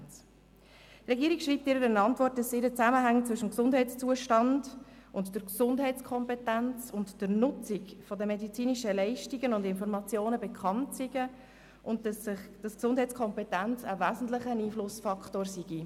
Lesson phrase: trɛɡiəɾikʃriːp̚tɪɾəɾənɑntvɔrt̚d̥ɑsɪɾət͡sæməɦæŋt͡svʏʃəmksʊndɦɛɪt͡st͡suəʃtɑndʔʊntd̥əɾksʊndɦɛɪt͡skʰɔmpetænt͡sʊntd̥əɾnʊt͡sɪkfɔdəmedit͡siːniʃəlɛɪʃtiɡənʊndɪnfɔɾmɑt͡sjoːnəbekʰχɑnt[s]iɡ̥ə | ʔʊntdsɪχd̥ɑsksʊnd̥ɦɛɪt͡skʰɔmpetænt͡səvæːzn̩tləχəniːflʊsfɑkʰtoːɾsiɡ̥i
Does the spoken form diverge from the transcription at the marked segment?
no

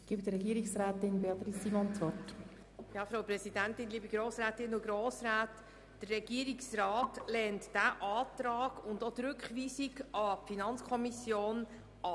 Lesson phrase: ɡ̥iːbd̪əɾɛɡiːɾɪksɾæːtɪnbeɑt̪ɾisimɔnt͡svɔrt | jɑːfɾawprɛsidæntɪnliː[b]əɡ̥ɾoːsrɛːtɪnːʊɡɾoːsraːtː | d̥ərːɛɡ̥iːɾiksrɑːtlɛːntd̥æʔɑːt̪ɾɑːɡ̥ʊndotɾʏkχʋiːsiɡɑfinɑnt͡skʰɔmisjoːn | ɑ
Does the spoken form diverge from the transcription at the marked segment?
no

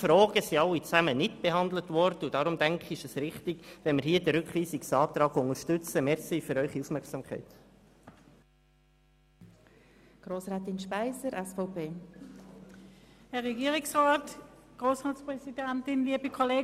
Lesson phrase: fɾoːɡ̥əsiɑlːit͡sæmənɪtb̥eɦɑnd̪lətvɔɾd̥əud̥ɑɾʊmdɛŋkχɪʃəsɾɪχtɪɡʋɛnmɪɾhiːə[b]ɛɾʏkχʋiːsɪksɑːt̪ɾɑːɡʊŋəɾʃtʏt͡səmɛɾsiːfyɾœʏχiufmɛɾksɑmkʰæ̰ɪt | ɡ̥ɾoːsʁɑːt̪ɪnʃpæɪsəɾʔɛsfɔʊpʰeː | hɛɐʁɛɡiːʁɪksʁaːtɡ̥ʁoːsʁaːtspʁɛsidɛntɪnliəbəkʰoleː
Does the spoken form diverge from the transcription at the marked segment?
yes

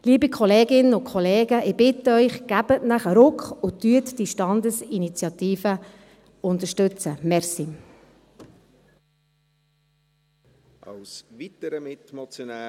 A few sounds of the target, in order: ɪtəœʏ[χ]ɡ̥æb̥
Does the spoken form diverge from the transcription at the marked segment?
no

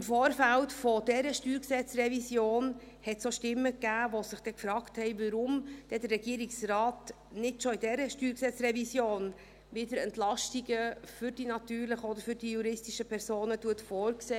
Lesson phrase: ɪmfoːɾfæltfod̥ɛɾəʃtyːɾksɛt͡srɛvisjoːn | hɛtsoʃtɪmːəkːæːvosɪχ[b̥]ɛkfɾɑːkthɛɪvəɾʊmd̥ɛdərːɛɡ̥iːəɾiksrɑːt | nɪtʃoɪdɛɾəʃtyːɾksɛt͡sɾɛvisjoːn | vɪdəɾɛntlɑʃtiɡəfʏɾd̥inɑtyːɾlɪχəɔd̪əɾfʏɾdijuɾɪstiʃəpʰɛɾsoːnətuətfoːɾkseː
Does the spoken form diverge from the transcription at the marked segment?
yes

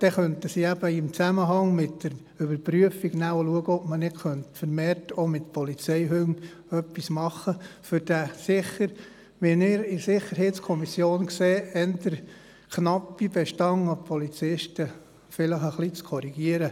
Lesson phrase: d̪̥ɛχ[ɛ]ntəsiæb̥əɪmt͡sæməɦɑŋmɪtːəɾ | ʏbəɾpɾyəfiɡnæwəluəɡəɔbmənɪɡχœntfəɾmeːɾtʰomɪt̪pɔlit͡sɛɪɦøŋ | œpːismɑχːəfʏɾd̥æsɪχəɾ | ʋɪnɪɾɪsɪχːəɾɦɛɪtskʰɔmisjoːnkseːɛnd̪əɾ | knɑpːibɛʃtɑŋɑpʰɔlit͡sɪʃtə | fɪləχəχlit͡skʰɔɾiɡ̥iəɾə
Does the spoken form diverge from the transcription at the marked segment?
yes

